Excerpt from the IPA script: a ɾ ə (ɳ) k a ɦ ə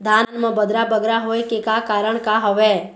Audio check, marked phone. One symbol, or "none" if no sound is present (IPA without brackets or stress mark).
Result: ɳ